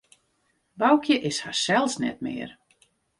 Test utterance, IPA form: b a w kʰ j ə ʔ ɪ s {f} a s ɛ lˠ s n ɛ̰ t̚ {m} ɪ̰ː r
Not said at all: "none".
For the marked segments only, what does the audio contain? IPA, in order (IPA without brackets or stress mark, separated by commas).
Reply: h, m